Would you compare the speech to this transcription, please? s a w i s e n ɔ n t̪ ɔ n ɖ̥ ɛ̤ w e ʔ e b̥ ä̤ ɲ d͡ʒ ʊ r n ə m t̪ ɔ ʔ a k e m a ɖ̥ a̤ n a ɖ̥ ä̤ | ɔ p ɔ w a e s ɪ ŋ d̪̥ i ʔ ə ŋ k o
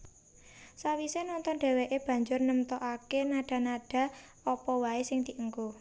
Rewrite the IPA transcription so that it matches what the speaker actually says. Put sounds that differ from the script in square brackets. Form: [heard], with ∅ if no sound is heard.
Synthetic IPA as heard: s a w i s e n ɔ n t̪ ɔ n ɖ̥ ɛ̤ w e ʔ e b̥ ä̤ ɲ d͡ʒ ʊ r n ə m t̪ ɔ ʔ a k e [n] a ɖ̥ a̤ n a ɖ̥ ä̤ | ɔ p ɔ w a e s ɪ ŋ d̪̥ i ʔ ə ŋ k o